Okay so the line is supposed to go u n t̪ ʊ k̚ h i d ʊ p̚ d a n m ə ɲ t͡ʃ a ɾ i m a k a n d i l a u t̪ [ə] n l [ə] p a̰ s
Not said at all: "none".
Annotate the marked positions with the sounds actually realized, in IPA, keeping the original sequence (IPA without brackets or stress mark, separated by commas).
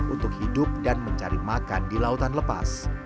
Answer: a, ə